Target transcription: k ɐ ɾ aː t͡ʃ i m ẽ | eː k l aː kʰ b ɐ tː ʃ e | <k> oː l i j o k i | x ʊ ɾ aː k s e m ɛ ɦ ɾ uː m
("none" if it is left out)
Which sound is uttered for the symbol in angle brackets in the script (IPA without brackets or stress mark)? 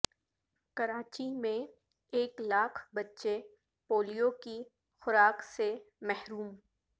p